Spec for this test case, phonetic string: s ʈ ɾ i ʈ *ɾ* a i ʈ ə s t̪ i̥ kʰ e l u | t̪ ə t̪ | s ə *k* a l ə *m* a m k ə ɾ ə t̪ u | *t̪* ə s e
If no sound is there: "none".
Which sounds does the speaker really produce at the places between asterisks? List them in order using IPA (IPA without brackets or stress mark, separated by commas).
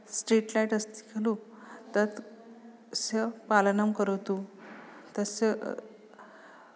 l, p, n, t̪